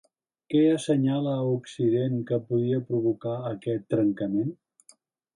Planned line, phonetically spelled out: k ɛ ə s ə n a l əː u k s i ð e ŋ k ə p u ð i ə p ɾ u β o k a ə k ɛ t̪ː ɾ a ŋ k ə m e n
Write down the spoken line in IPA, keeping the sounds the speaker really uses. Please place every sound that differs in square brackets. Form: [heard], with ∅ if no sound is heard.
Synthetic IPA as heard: k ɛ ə s ə [ɲ] a l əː u k s i ð e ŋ k ə p u ð i ə p ɾ u β [u] k a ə k ɛ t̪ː ɾ [ə] ŋ k ə m e n